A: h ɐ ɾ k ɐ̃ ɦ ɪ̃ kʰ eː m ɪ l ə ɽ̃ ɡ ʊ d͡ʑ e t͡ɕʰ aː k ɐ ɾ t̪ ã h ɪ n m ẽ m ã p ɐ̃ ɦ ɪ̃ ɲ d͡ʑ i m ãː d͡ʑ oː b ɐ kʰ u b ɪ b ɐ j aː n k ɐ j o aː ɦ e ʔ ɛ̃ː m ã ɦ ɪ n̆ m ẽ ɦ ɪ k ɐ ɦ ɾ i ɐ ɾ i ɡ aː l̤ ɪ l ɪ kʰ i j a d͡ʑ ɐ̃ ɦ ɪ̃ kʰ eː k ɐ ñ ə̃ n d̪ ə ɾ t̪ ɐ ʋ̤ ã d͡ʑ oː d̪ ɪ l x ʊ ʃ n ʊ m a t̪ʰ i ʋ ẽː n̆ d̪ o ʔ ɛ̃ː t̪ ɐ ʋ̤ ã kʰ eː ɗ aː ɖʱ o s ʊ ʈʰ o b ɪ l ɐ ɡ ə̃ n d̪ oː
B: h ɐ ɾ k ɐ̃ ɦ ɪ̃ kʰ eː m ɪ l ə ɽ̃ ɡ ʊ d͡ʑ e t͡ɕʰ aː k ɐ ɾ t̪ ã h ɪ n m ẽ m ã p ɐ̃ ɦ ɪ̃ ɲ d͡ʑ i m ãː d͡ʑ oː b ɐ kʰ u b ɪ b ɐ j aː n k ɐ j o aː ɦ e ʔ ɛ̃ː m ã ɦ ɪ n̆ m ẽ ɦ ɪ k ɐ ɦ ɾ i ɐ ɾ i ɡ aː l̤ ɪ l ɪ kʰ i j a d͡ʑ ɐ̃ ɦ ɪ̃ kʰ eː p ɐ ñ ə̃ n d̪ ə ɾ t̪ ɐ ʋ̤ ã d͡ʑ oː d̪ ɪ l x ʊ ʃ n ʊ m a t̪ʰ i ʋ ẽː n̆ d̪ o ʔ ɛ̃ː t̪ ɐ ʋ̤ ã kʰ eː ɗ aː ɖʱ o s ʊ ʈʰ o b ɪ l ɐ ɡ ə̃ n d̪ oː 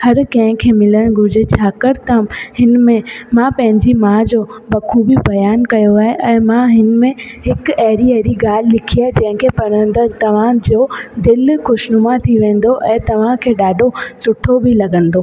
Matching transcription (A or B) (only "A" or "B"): B